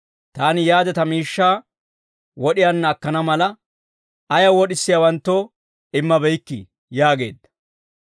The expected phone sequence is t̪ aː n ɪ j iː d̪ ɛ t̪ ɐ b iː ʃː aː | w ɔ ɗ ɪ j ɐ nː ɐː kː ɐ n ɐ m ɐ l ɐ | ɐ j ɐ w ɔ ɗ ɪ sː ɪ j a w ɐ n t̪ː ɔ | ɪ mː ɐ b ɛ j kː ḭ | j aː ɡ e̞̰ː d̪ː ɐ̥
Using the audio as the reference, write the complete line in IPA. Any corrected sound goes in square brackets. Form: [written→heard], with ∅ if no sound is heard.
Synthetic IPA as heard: t̪ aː n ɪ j [iː→aː] d̪ ɛ t̪ ɐ [b→m] iː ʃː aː | w ɔ ɗ ɪ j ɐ nː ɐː kː ɐ n ɐ m ɐ l ɐ | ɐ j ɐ w ɔ ɗ ɪ sː ɪ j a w ɐ n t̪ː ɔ | ɪ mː ɐ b ɛ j kː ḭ | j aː ɡ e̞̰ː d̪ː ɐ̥